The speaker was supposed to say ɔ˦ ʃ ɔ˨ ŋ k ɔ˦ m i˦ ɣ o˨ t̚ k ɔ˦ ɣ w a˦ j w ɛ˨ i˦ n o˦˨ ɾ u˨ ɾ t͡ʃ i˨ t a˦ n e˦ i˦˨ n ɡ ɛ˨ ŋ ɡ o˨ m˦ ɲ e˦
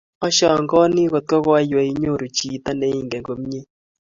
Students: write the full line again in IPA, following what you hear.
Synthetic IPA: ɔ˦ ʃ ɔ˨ ŋ ɡ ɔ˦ n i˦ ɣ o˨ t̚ k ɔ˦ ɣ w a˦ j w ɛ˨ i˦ ɲ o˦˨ ɾ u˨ t͡ʃ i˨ t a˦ n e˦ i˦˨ ŋ ɡ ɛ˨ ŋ ɡ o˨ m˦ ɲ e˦